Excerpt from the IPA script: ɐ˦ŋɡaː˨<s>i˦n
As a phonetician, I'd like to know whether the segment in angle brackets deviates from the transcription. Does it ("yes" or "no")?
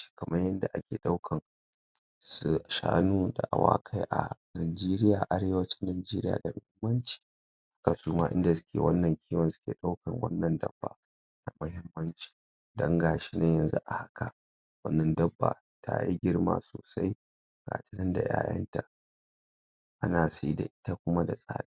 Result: yes